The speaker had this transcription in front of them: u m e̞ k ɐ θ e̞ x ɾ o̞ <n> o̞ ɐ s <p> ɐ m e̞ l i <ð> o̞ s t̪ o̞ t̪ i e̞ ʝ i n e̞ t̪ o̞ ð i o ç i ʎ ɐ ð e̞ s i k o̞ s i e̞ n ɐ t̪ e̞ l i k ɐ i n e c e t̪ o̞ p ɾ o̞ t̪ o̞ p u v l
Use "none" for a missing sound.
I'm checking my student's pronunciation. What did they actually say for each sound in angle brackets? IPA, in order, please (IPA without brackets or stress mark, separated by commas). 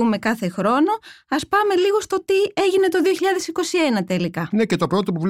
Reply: n, p, ɣ